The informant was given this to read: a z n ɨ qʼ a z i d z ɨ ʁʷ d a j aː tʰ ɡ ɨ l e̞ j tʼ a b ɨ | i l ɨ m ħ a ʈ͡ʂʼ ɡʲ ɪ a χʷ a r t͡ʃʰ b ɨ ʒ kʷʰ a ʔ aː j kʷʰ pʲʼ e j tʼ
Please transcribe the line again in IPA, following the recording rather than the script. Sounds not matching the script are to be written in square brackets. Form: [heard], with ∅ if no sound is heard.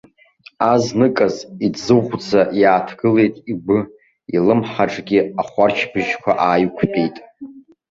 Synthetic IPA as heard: a z n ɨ [kʼ] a z i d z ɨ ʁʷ [d͡z] a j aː tʰ ɡ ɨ l e̞ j tʼ [i] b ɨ | i l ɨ m ħ a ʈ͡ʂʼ ɡʲ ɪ a χʷ a r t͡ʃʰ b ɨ ʒ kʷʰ a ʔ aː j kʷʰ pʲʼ e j tʼ